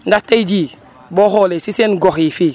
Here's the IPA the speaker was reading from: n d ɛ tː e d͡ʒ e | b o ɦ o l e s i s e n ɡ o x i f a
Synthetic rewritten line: n d a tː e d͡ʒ i | b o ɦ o l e s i s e n ɡ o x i f i

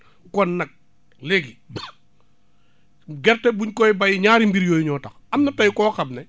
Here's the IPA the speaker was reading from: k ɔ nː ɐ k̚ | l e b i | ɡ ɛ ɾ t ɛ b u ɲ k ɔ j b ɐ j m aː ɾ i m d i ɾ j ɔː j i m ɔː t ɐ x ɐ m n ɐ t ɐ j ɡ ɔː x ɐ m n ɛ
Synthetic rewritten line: k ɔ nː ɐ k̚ | l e ɡ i | ɡ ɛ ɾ t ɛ b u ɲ k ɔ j b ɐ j ɲ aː ɾ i m b i ɾ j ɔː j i ɲ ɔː t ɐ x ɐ m n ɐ t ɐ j k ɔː x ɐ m n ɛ

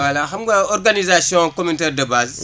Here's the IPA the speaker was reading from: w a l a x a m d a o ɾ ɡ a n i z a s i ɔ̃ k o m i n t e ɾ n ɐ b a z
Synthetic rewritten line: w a l a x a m ɡ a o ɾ ɡ a n i z a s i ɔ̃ k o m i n t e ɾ d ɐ b a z

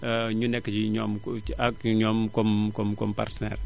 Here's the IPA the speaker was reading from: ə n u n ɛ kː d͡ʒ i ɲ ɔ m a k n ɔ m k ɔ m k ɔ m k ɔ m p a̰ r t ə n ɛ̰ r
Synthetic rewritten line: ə ɲ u n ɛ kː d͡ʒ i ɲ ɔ m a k ɲ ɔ m k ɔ m k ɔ m k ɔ m p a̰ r t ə n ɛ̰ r

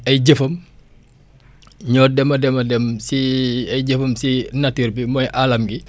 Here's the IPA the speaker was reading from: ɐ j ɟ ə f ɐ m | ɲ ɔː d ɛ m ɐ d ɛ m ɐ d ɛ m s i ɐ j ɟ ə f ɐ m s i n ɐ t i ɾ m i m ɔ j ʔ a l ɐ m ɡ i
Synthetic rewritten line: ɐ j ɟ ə f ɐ m | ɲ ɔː d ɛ m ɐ d ɛ m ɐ d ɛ m s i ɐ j ɟ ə f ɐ m s i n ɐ t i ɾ b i m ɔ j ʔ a l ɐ m ɡ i

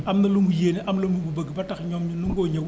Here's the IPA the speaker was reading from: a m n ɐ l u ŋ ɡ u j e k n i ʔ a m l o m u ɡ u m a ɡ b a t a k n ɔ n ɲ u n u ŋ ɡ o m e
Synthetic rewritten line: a m n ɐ l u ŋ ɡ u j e n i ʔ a m l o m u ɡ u b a ɡ b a t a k ɲ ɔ m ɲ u n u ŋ ɡ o ɲ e

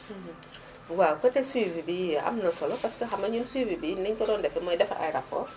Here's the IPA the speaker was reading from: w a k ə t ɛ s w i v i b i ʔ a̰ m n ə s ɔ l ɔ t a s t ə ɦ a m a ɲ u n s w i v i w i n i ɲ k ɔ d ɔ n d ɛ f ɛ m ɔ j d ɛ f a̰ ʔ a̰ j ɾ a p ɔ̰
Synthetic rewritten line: w a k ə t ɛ s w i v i b i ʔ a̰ m n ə s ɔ l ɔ p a s k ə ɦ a m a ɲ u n s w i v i b i n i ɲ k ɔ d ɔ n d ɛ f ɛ m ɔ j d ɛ f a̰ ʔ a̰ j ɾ a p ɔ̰

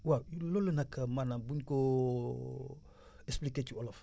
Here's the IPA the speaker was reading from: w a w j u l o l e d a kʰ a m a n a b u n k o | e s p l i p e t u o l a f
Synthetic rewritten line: w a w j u l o l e n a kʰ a m a n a b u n k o | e s p l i k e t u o l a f

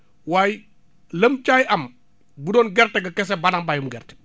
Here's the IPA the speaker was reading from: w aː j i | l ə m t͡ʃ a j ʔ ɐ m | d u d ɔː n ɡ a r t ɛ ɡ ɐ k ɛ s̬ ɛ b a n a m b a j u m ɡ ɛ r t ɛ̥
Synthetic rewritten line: w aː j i | l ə m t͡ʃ a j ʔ ɐ m | b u d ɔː n ɡ ɛ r t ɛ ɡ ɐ k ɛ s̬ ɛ b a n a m b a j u m ɡ ɛ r t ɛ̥

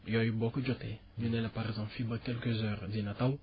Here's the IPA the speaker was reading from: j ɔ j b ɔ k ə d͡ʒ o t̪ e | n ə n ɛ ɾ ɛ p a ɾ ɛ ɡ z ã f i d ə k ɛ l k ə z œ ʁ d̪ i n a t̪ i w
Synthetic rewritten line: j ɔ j b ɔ k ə d͡ʒ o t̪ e | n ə n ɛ l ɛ p a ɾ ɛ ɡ z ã f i b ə k ɛ l k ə z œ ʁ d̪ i n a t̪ a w

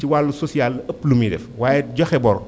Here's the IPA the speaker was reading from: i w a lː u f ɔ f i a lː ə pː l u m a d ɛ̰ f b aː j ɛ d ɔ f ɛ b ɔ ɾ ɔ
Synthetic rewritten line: i w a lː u s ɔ s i a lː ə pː l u m i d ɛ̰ f w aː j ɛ ɟ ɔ x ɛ b ɔ ɾ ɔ

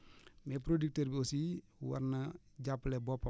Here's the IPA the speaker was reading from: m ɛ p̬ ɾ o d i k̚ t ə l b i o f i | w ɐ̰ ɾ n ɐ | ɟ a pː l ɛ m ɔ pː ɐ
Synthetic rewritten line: m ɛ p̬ ɾ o d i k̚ t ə ɾ b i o s i | w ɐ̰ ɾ n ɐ | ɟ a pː l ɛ b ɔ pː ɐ

